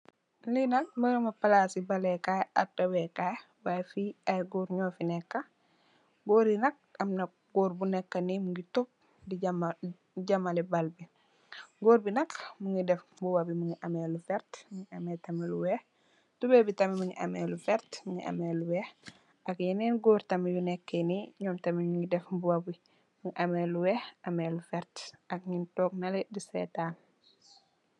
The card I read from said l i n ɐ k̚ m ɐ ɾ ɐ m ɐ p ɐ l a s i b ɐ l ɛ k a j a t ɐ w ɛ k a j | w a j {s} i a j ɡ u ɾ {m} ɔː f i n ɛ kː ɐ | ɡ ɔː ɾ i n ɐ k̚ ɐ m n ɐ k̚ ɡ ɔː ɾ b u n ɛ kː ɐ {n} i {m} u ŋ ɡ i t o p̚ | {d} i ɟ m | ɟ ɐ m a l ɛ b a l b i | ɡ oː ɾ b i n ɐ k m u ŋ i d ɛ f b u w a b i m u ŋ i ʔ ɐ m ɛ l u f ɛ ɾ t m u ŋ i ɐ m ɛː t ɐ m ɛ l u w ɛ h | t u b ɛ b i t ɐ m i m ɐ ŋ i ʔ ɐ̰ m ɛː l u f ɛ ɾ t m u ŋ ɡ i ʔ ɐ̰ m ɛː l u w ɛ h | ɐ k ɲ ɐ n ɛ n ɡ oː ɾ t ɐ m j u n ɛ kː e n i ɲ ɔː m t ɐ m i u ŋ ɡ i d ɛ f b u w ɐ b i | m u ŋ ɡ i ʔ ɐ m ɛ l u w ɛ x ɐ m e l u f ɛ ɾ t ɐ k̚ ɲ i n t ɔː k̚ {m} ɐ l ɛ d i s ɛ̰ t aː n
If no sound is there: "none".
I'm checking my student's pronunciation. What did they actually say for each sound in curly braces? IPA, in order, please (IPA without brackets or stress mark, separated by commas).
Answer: f, ɲ, n, m, d, n